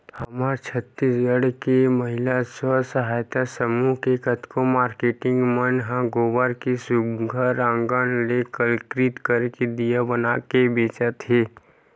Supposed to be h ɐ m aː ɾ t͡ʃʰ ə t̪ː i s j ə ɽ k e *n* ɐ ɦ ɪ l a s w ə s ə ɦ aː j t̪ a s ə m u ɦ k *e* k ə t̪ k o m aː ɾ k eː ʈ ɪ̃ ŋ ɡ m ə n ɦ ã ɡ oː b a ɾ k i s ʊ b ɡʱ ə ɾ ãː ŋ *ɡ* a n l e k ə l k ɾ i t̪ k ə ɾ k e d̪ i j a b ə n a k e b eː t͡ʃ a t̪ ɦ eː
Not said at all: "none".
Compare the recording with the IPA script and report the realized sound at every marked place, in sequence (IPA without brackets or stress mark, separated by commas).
m, e, ɡ